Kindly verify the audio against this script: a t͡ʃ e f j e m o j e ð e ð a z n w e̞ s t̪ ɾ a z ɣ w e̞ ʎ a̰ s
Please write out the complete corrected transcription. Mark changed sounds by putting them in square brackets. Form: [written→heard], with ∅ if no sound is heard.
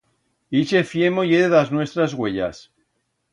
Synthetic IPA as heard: [a→i] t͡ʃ e f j e m o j e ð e ð a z n w e̞ s t̪ ɾ a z ɣ w e̞ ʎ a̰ s